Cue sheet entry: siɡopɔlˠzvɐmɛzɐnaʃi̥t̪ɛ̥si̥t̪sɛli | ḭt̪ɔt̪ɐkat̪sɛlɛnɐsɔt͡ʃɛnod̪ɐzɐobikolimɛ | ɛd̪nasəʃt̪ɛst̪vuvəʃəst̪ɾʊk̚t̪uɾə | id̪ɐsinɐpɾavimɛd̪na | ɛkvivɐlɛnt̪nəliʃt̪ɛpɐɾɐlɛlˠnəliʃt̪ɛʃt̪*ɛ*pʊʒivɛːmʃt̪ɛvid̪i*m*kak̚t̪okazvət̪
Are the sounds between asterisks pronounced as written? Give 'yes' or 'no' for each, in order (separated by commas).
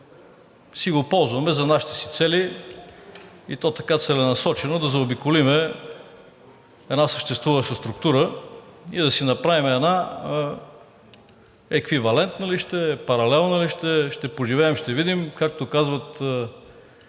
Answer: yes, yes